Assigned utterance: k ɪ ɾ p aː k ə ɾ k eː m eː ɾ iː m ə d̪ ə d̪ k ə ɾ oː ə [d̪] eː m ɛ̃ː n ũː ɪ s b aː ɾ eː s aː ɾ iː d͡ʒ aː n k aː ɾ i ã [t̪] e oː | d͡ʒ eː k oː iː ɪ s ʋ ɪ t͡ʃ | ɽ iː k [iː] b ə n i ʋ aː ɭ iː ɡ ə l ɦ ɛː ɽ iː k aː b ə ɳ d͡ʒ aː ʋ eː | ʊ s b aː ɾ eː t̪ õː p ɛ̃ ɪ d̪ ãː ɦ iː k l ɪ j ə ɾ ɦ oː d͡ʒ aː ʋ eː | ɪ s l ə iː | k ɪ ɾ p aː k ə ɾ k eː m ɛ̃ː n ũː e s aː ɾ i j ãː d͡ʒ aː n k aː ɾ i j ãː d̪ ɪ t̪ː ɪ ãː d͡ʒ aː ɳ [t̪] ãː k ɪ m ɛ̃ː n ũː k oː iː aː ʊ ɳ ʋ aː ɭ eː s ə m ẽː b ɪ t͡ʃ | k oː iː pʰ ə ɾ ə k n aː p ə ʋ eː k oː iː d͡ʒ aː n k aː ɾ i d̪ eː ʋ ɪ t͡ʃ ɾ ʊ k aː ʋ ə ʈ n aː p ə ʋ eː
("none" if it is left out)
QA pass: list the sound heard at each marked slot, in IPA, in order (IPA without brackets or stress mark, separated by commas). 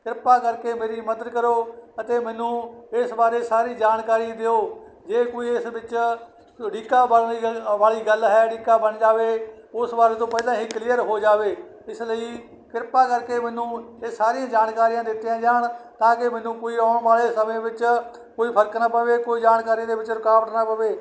t̪, d̪, aː, t̪